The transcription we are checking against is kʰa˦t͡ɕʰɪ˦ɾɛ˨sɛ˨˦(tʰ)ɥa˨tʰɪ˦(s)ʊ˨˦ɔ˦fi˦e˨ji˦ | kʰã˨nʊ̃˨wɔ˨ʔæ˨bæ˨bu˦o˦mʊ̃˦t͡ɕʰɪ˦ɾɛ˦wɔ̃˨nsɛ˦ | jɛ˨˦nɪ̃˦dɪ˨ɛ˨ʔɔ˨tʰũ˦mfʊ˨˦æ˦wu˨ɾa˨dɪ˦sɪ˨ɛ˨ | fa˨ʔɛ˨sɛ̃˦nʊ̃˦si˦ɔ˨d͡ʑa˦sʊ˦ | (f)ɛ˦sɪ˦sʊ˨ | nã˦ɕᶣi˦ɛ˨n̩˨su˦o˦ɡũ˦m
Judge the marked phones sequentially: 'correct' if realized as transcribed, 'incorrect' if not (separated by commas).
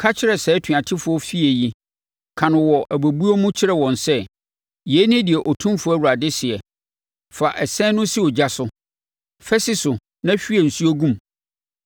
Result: correct, incorrect, correct